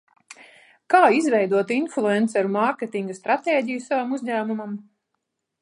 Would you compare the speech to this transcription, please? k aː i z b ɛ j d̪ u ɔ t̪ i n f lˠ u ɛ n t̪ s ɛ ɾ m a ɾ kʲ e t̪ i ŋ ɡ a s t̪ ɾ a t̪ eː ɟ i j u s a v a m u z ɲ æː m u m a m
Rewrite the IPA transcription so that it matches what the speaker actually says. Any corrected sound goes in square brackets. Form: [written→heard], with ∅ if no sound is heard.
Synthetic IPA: k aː i z [b→v] ɛ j d̪ u ɔ t̪ i n f lˠ u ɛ n t̪ s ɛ ɾ m a ɾ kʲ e t̪ i ŋ ɡ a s t̪ ɾ a t̪ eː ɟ i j u s a v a m u z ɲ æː m u m a m